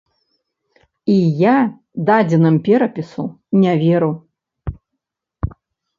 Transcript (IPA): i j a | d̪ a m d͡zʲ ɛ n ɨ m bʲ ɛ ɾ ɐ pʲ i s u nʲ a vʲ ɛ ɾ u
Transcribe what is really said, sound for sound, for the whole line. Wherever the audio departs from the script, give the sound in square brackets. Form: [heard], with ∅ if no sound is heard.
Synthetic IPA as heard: i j a | d̪ a [∅] d͡zʲ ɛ n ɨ m [pʲ] ɛ ɾ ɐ pʲ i s u nʲ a vʲ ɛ ɾ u